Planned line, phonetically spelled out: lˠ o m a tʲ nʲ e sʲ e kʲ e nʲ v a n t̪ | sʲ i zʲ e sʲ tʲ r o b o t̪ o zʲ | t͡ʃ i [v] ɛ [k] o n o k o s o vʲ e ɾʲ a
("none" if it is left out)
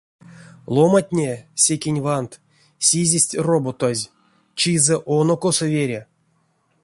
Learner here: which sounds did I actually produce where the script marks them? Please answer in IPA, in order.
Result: z, ʔ

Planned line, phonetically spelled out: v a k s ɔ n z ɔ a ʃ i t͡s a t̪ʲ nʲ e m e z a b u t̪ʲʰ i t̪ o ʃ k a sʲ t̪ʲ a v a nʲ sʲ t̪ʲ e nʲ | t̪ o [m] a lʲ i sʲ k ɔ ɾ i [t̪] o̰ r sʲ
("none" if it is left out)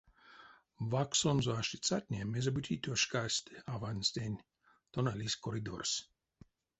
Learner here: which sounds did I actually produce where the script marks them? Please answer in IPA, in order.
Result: n, d̪

